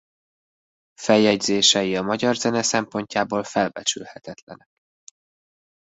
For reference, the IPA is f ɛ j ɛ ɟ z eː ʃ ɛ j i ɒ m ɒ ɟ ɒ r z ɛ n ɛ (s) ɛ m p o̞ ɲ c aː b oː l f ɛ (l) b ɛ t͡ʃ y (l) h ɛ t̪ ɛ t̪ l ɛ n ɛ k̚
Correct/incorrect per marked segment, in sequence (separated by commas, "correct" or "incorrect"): correct, correct, correct